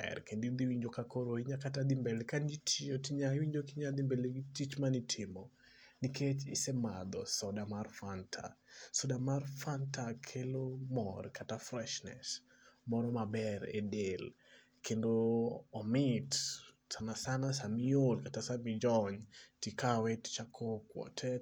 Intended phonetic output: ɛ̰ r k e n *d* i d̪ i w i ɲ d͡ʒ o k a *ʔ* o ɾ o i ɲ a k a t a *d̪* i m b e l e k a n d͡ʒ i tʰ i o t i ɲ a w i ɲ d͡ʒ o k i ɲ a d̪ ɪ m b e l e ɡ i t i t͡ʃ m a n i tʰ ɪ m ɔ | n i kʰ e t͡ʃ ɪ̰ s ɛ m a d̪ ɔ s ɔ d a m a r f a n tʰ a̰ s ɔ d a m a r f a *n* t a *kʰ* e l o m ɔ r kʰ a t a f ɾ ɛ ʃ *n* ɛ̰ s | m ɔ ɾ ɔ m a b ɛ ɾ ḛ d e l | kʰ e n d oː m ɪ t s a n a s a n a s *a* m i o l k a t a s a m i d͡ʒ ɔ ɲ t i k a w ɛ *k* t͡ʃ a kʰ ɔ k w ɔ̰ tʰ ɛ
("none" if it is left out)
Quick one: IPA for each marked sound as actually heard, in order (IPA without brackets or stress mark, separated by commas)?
d, k, d̪, n, kʰ, n, a, t